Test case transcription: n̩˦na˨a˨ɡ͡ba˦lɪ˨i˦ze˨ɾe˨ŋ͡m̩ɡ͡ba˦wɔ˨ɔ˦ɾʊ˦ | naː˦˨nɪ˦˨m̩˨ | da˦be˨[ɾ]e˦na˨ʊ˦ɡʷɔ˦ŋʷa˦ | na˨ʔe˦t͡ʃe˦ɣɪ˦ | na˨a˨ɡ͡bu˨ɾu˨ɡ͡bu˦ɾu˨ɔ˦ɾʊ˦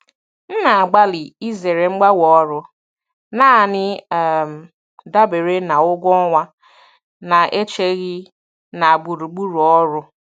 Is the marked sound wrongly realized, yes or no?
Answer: no